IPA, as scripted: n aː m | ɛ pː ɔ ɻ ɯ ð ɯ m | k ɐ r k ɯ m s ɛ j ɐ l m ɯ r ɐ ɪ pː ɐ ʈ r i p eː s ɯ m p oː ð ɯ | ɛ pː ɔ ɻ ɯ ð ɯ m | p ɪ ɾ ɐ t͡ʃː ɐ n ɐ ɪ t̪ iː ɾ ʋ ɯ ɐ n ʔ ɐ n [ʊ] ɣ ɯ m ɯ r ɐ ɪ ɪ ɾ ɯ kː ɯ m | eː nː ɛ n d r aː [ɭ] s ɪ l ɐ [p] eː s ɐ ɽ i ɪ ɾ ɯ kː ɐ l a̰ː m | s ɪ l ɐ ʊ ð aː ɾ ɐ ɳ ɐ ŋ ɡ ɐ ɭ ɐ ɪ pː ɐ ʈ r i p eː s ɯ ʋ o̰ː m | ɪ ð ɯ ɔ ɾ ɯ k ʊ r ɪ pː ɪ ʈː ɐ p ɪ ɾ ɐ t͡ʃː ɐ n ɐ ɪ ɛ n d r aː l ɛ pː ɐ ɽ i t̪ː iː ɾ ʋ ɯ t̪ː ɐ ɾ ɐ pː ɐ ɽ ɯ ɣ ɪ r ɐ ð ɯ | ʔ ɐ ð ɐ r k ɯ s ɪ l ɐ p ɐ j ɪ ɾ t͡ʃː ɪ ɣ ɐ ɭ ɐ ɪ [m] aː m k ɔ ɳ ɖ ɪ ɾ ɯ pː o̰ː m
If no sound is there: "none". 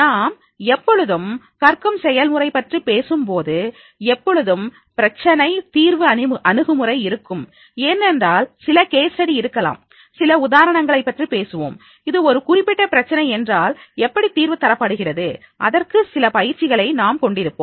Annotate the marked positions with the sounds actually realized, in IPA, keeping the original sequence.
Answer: ɯ, l, k, n

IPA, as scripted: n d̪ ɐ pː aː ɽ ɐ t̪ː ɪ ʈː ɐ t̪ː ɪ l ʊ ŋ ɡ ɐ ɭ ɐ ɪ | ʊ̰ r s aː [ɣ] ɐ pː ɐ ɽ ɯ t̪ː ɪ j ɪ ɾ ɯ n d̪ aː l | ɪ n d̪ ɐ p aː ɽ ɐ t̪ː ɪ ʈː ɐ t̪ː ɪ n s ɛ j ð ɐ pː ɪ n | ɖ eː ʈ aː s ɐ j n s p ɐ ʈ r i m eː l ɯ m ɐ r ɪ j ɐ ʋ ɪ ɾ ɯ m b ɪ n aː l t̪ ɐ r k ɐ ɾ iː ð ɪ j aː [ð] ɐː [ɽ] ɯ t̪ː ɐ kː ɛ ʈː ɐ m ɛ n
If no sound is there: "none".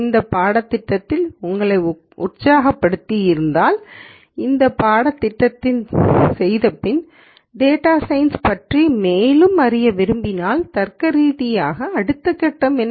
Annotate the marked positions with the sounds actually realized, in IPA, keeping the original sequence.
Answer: ɣ, ɣ, ɽ

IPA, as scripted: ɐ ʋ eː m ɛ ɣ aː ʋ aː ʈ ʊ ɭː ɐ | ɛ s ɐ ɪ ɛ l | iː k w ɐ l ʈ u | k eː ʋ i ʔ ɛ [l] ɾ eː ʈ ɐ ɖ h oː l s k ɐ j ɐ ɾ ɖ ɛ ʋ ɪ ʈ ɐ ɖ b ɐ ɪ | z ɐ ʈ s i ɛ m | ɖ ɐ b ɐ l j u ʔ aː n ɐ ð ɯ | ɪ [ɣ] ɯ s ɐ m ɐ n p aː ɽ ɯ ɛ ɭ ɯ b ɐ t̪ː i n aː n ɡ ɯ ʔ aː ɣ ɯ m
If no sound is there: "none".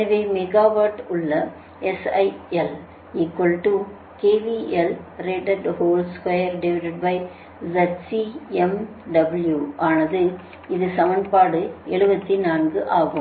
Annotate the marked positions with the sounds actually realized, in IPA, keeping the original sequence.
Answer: l, ð

